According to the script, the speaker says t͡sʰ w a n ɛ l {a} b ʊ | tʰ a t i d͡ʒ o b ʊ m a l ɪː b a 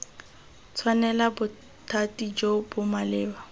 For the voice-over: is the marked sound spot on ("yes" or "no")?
yes